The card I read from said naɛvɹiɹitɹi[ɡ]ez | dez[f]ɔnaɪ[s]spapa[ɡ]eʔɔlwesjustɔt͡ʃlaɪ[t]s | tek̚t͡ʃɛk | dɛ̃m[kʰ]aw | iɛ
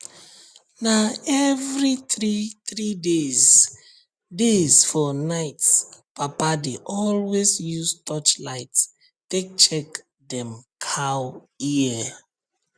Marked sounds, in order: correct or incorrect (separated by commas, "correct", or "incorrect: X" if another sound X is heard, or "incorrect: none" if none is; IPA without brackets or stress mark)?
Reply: incorrect: d, correct, incorrect: t, incorrect: d, correct, correct